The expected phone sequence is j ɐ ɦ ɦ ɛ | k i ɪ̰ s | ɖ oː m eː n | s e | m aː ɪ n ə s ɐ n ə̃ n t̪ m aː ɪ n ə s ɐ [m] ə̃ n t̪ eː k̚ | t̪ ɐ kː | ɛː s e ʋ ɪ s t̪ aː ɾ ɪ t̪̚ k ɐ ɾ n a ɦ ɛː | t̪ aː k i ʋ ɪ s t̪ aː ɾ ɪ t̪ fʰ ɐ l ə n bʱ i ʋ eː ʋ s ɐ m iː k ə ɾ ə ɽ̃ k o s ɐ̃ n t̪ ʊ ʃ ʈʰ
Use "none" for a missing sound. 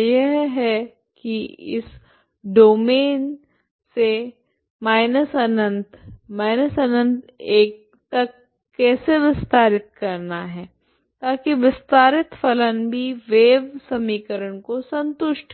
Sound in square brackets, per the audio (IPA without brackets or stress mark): n